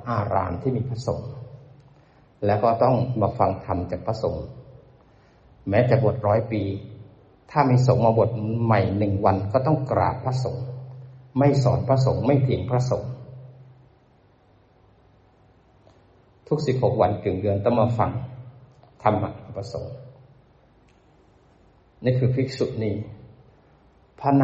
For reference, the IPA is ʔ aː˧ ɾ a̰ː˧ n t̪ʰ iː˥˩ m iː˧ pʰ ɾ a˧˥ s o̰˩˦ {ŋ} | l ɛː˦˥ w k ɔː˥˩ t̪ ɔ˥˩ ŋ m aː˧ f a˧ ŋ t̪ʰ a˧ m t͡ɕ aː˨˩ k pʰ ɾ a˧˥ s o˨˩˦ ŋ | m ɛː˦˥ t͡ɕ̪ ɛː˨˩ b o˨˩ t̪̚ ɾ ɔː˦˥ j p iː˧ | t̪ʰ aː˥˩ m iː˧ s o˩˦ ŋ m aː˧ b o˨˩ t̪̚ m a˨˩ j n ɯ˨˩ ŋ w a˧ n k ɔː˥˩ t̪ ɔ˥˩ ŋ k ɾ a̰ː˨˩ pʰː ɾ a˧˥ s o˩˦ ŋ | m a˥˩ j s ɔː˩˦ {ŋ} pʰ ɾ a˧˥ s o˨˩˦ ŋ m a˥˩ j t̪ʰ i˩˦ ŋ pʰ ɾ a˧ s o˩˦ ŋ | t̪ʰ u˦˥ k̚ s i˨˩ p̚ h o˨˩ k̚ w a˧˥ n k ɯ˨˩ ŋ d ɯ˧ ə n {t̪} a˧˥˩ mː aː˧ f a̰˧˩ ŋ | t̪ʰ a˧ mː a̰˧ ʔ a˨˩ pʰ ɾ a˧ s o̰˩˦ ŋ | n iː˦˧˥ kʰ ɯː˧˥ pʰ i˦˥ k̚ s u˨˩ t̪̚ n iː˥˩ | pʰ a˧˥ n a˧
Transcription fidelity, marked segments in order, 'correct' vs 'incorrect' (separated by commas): correct, incorrect, correct